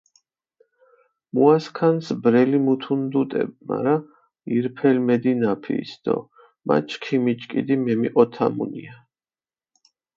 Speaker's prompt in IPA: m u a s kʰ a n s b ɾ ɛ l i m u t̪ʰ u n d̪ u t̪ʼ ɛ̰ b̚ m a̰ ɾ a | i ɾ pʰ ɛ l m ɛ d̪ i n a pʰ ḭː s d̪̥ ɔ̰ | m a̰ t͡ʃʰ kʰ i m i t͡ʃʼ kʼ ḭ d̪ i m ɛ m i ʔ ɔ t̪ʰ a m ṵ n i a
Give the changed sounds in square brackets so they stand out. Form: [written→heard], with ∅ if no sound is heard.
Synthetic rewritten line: m u a s kʰ a n s b ɾ ɛ l i m u t̪ʰ u n d̪ u t̪ʼ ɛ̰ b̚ m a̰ ɾ a | i ɾ pʰ ɛ l m ɛ d̪ i n a pʰ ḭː s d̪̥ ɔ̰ | m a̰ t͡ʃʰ kʰ i m i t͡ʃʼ kʼ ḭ d̪ i m ɛ m i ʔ ɔ t̪ʰ a m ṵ n i a

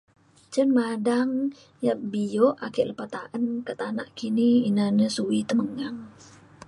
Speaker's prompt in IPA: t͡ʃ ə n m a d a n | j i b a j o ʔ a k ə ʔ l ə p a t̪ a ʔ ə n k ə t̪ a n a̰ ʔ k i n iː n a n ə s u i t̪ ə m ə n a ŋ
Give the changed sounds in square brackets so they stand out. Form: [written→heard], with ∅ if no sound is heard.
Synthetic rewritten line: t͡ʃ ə n m a d a [n→ŋ] | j [i→a] b [a→i] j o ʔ a k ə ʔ l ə p a t̪ a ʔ ə n k ə t̪ a n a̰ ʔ k i n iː n a n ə s u i t̪ ə m ə [n→ŋ] a ŋ

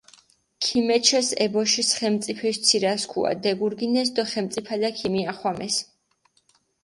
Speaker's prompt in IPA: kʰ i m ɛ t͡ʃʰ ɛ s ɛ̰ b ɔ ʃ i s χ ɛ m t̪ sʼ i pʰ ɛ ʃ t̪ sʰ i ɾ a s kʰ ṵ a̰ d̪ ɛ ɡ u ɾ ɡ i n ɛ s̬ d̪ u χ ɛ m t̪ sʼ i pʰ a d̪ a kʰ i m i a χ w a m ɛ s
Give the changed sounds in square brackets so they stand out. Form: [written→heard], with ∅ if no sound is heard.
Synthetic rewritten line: kʰ i m ɛ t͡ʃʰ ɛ s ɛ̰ b ɔ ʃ i s χ ɛ m t̪ sʼ i pʰ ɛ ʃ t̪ sʰ i ɾ a s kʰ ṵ a̰ d̪ ɛ ɡ u ɾ ɡ i n ɛ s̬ d̪ [u→ɔ] χ ɛ m t̪ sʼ i pʰ a d̪ a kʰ i m i a χ w a m ɛ s

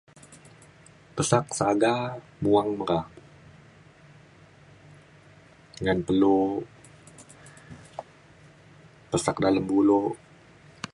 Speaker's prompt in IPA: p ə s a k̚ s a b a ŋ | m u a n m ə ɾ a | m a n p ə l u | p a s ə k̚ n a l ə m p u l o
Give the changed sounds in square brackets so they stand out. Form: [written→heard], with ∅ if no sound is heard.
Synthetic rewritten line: p ə s a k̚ s a [b→ɡ] a [ŋ→∅] | m u a [n→ŋ] m ə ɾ a | [m→ŋ] a n p ə l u | p [a→ə] s [ə→a] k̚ [n→d] a l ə m [p→b] u l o

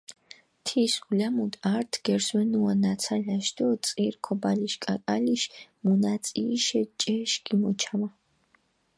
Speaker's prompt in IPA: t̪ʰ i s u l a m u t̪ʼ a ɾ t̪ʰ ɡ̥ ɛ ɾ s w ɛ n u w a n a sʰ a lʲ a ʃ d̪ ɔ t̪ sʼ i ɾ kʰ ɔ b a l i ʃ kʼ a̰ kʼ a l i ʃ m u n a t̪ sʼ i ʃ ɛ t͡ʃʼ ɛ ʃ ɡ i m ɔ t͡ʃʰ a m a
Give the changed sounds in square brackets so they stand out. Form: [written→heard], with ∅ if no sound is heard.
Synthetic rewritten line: t̪ʰ i s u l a m u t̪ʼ a ɾ t̪ʰ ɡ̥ ɛ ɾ s w ɛ n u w a n a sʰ a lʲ a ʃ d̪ ɔ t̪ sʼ i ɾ kʰ ɔ b a l i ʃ kʼ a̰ kʼ a l i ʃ m u n a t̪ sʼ i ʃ ɛ t͡ʃʼ ɛ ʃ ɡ i m ɔ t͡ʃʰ a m a

